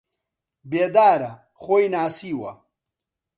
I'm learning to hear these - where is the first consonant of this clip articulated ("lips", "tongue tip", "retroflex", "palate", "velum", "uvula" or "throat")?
lips